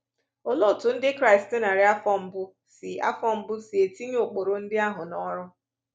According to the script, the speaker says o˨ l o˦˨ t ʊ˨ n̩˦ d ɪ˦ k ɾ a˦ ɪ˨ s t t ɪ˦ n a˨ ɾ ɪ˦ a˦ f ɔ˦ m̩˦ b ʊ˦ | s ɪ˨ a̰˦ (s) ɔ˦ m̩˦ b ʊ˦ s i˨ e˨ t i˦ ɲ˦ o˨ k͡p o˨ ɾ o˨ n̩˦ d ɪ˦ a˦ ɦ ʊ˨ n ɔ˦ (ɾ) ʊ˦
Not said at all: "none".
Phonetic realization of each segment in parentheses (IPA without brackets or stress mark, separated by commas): f, ɾ